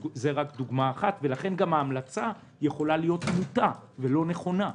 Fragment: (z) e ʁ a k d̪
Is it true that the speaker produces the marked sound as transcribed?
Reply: yes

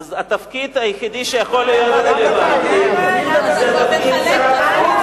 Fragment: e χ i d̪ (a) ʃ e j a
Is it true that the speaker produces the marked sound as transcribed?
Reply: no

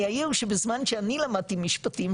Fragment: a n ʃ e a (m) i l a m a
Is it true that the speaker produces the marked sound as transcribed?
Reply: no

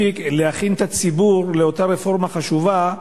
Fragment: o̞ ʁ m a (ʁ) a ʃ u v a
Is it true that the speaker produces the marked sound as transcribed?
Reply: no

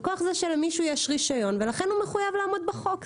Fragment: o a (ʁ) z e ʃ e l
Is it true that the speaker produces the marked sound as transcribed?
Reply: no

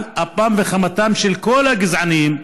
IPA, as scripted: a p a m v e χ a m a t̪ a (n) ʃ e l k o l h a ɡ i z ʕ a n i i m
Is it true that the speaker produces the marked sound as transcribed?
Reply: no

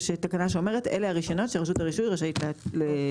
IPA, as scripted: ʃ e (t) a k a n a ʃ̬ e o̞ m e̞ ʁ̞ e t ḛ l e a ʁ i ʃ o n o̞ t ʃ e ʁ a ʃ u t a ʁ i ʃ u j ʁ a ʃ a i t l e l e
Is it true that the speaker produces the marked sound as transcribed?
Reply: yes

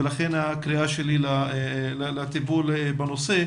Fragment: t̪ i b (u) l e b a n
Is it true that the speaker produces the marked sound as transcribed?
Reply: yes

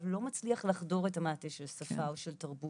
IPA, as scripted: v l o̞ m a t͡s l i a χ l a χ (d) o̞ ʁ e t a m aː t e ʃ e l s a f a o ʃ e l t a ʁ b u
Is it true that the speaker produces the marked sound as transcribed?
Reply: yes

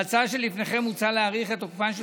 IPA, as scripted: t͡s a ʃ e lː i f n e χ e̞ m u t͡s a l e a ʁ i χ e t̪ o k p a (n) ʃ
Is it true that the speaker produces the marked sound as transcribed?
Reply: yes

